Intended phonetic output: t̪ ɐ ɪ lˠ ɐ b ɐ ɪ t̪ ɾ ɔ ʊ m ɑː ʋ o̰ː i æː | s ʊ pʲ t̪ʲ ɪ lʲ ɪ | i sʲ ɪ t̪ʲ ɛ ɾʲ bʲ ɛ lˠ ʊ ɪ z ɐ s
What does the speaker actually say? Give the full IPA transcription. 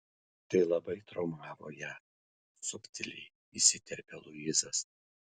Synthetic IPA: t̪ ɐ ɪ lˠ ɐ b ɐ ɪ t̪ ɾ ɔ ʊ m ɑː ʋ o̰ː j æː | s ʊ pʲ t̪ʲ ɪ lʲ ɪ | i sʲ ɪ t̪ʲ ɛ ɾʲ pʲ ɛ lˠ ʊ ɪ z ɐ s